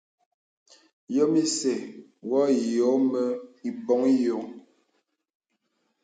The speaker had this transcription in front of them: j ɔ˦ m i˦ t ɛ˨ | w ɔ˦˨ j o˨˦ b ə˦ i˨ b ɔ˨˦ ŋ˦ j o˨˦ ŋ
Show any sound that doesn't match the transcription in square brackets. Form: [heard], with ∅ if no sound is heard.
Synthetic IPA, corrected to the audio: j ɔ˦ m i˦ [s] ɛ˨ | w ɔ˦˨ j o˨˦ [m] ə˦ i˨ b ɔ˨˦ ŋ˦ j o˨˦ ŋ